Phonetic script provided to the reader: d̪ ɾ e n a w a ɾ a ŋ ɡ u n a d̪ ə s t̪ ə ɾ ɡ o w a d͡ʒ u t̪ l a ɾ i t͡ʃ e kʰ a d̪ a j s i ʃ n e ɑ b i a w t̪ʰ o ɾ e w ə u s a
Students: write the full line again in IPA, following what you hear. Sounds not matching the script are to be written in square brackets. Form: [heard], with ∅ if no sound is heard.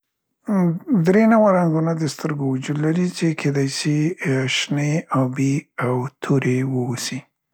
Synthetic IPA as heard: d̪ ɾ e n a w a ɾ a ŋ ɡ u n a d̪ ə s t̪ ə ɾ ɡ o w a d͡ʒ u [d̪] l a ɾ i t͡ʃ e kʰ [e] d̪ a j s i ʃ n e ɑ b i a w t̪ʰ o ɾ e w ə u s [i]